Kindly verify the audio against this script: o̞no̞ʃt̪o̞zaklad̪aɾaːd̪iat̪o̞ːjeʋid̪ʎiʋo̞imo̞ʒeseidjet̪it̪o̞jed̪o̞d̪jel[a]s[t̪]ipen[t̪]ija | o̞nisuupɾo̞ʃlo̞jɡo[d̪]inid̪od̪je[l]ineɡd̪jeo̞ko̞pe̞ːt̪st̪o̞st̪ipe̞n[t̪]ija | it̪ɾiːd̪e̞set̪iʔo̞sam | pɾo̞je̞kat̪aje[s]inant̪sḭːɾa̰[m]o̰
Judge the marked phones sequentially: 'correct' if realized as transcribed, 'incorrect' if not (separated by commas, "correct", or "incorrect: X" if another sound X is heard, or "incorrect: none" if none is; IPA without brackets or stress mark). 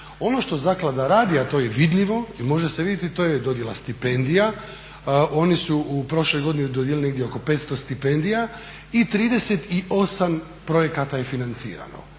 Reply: correct, correct, incorrect: d̪, correct, correct, incorrect: d̪, incorrect: f, incorrect: n